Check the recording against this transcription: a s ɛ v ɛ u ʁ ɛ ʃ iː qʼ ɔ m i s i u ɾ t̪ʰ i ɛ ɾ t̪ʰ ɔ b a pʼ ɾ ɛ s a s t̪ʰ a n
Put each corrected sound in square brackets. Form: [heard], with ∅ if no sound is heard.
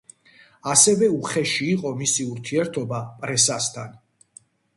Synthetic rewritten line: a s ɛ v ɛ u [χ] ɛ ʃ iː qʼ ɔ m i s i u ɾ t̪ʰ i ɛ ɾ t̪ʰ ɔ b a pʼ ɾ ɛ s a s t̪ʰ a n